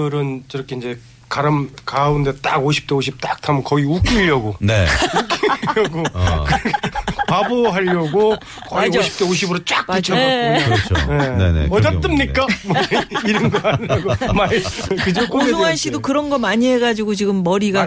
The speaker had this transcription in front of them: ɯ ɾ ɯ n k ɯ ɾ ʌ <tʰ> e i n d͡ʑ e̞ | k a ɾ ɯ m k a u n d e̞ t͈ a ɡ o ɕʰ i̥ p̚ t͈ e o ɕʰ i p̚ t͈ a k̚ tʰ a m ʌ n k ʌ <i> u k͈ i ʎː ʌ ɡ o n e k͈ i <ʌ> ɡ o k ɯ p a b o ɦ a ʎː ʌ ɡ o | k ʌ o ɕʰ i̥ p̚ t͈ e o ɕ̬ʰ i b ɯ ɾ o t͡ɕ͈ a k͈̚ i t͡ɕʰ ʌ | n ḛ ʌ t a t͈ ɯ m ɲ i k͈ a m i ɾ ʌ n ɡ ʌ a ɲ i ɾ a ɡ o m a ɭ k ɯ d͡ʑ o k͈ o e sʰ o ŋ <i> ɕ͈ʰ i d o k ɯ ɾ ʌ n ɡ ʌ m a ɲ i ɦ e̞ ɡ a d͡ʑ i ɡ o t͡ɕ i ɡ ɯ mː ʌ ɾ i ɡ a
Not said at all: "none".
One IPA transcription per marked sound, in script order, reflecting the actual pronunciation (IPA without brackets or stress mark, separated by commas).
kʰ, i, ʌ, a